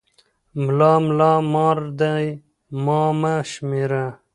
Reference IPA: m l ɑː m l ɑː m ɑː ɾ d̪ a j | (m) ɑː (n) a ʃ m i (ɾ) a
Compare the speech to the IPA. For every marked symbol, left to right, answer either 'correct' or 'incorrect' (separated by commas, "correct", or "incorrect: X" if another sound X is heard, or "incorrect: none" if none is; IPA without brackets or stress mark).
correct, incorrect: m, correct